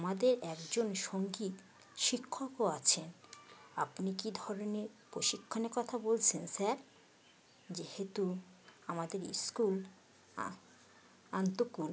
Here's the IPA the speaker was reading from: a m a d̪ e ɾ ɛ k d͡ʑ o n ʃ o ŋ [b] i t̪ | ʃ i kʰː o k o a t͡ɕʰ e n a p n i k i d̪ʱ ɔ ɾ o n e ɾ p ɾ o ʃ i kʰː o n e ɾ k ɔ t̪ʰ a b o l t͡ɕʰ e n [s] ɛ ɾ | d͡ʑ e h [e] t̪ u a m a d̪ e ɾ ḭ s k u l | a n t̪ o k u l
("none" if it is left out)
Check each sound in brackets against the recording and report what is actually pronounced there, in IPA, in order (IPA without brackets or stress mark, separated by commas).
ɡ, s, e